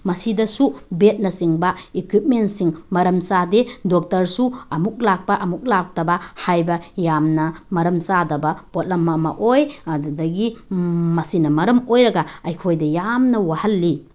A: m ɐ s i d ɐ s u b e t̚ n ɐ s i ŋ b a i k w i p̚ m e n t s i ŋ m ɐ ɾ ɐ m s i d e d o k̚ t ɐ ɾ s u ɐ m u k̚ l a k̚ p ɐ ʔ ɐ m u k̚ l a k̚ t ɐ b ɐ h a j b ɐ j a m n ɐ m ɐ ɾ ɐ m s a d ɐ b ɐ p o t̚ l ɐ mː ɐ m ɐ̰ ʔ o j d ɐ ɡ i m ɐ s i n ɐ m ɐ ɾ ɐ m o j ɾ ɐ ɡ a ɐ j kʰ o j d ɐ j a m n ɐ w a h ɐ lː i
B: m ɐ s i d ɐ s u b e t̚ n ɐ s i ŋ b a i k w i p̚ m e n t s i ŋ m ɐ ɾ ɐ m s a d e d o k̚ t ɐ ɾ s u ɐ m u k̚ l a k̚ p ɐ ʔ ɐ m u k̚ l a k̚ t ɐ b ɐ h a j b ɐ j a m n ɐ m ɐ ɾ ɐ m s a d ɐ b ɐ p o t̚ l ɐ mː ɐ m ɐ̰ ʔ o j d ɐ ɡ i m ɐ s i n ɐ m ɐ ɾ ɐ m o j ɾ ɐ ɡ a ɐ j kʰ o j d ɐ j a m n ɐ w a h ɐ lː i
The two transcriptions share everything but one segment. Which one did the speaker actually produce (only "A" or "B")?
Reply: B